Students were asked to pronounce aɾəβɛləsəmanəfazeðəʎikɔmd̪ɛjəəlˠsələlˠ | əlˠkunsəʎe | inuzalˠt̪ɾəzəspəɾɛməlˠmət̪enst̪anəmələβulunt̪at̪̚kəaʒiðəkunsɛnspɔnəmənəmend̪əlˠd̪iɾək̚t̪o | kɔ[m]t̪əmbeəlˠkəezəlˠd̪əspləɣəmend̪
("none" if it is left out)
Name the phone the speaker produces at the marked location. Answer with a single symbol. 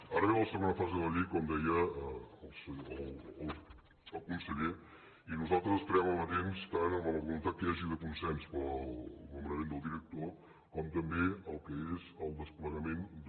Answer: m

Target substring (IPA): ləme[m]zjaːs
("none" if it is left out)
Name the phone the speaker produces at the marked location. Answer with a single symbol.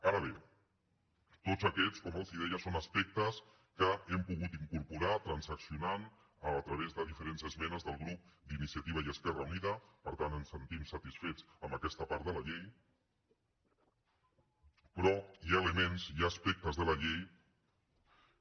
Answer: n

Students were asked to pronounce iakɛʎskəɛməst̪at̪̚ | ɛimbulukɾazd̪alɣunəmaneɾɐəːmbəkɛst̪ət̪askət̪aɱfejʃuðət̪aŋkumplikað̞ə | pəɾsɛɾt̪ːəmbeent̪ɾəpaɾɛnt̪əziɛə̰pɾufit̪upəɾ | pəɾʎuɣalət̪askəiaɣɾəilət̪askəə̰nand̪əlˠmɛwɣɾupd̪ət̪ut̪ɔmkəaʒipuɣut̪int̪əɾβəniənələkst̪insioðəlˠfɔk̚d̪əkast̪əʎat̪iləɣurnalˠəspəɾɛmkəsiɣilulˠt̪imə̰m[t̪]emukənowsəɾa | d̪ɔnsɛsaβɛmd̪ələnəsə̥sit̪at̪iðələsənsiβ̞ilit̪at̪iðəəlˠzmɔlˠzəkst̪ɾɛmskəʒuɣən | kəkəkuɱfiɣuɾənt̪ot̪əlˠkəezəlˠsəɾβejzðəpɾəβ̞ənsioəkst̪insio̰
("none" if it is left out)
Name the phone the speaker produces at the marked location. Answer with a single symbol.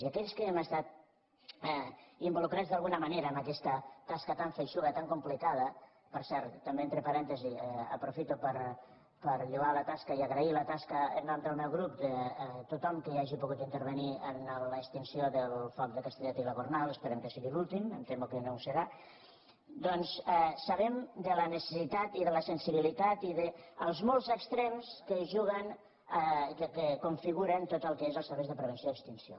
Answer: t̪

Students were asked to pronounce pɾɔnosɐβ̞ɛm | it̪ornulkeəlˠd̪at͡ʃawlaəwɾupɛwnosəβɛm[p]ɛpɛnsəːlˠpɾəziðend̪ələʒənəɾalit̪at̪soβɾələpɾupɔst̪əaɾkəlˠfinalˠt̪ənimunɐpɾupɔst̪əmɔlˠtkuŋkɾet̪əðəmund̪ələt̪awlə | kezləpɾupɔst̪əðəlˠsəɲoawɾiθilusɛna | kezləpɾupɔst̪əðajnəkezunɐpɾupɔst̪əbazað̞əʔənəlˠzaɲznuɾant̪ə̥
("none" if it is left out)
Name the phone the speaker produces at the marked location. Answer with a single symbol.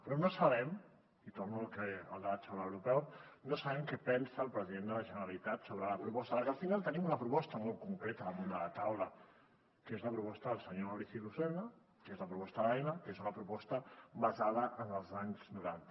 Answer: k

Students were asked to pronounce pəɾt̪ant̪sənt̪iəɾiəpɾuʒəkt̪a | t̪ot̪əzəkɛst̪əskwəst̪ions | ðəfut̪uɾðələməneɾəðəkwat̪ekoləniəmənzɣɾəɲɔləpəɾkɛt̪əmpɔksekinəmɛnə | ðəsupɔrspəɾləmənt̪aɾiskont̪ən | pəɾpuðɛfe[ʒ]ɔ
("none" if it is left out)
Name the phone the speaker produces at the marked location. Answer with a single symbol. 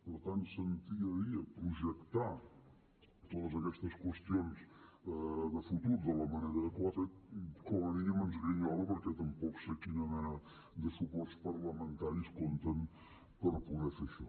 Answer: ʃ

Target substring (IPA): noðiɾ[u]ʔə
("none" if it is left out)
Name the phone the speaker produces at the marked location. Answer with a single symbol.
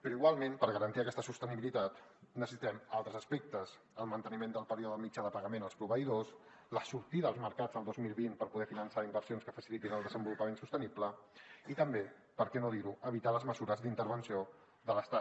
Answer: u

